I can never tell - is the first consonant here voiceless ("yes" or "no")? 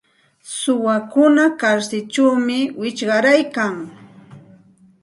yes